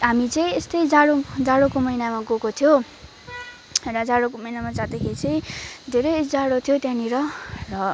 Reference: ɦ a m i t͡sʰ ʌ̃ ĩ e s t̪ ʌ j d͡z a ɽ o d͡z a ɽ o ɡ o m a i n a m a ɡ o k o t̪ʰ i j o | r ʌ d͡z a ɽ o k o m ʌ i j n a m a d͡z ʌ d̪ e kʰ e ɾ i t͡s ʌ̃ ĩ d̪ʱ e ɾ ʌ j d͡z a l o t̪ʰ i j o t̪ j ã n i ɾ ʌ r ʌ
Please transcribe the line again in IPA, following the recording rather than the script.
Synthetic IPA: ɦ a m i t͡s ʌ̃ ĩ e s t̪ ʌ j d͡z a ɽ o d͡z a ɽ o k o m ʌ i n a m a ɡ o k o t̪ʰ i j o | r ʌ d͡z a ɽ o k o m ʌ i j n a m a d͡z a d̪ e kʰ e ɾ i t͡s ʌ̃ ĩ d̪ʱ e ɾ ʌ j d͡z a ɽ o t̪ʰ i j o t̪ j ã n i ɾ ʌ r ʌ